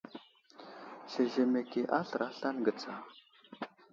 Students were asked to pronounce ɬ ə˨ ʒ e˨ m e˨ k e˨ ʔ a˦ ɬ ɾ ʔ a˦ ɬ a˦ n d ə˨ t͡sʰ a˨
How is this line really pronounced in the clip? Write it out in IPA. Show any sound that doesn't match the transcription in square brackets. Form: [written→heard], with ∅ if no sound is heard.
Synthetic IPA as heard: ɬ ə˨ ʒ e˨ m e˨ k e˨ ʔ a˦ ɬ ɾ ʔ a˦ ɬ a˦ n [d→ɡ] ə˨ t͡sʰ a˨

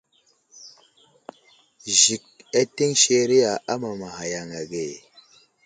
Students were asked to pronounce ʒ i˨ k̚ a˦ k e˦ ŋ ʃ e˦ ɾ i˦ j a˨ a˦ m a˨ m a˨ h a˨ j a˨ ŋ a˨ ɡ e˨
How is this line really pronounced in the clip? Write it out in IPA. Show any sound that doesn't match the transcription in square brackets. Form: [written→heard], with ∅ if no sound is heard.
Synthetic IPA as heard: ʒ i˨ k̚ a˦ [k→t] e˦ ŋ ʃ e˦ ɾ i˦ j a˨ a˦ m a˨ m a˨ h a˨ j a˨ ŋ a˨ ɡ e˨

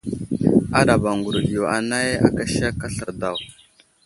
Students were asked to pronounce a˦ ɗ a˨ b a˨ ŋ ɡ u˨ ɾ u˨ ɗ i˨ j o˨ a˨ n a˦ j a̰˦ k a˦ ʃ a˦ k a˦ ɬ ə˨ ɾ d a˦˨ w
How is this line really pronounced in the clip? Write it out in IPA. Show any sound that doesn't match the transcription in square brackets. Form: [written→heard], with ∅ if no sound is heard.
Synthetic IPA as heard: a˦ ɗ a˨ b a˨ ŋ ɡ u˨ ɾ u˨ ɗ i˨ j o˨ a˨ n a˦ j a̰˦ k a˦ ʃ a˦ k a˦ ɬ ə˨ ɾ d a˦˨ w

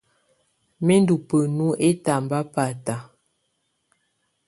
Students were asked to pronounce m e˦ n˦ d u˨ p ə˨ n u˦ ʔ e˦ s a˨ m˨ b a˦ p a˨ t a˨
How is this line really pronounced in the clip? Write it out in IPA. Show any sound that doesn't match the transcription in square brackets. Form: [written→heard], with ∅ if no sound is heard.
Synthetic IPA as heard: m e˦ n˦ d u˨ p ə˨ n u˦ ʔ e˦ [s→t] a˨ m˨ b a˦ p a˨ t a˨

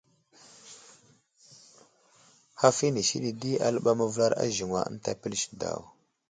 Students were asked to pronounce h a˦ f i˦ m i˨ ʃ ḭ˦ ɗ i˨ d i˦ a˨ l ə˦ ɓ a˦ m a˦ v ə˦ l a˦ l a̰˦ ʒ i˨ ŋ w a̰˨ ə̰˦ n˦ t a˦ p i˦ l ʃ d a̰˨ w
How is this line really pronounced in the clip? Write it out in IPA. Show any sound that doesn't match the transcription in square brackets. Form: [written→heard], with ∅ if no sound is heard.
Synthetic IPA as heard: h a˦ f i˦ [m→n] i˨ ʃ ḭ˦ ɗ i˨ d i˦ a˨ l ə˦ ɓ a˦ m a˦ v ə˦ l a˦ [l→ɾ] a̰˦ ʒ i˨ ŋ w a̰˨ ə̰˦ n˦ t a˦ p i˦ l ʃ d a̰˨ w

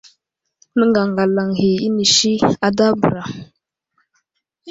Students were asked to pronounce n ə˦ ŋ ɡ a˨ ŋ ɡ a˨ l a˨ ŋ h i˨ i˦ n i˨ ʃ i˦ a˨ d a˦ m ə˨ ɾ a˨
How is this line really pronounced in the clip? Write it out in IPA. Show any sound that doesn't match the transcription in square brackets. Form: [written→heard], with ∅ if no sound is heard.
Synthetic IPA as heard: n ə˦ ŋ ɡ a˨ ŋ ɡ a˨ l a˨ ŋ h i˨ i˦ n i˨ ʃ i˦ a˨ d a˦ [m→b] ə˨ ɾ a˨

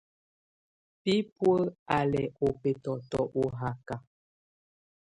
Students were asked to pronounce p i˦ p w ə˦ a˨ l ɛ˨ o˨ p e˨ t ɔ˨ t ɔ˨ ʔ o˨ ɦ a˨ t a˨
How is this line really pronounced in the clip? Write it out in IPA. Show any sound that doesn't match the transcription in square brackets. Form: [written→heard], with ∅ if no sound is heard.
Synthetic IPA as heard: p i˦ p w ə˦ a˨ l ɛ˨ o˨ p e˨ t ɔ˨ t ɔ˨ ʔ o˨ ɦ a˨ [t→k] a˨

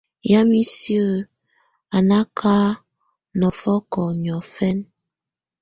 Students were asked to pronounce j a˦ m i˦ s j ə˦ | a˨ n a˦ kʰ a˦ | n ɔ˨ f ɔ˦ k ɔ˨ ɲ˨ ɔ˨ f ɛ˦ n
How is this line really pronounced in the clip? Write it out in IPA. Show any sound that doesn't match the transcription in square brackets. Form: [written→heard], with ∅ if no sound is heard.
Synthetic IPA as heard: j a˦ m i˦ s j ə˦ | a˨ n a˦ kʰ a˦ | n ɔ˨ f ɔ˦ k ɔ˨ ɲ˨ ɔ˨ f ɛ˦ n

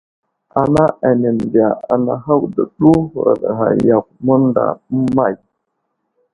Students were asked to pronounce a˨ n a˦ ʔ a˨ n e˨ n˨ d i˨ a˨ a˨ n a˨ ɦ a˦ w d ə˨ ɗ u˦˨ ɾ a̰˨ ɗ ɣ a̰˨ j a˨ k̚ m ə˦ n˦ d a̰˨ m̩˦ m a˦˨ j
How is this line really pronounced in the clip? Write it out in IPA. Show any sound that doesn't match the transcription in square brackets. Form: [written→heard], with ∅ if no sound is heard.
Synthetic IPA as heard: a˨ n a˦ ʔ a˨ n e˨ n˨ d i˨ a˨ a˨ n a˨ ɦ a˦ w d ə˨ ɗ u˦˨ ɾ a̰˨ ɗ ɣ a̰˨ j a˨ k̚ m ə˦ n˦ d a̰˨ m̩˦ m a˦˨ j

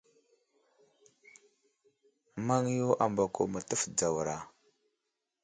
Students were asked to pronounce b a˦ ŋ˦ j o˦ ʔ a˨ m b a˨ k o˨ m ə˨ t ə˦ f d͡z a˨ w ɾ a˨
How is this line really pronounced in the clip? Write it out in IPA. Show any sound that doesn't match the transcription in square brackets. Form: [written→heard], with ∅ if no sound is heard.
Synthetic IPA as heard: [b→m] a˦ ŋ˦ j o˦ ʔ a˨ m b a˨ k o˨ m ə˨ t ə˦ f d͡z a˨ w ɾ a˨

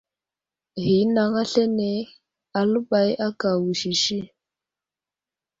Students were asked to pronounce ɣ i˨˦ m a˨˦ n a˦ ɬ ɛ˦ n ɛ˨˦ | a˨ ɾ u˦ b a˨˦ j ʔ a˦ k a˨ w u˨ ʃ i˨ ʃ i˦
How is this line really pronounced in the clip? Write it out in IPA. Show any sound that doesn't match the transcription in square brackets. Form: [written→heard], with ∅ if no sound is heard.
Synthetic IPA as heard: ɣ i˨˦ [m→n] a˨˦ [n→ŋ] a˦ ɬ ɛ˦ n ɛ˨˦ | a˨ [ɾ→l] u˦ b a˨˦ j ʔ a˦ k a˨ w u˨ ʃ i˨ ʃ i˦

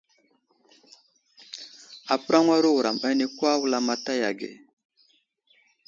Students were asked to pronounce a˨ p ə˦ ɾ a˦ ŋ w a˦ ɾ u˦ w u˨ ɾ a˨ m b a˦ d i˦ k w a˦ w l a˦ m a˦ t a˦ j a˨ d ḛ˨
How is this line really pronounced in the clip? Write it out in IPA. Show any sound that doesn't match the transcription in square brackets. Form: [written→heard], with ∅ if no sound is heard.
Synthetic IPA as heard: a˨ p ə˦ ɾ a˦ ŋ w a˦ ɾ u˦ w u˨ ɾ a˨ m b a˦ [d→n] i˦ k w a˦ w l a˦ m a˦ t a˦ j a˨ [d→ɡ] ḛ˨

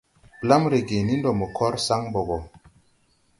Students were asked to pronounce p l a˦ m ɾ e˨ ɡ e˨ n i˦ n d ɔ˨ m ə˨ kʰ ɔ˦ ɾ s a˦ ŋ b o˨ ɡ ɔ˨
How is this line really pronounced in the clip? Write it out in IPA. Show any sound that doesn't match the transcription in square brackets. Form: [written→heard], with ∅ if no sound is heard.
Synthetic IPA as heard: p l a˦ m ɾ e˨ ɡ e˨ n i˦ n d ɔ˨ m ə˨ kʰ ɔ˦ ɾ s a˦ ŋ b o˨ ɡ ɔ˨

